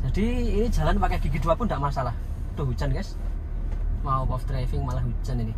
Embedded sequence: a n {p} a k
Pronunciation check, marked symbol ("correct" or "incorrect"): correct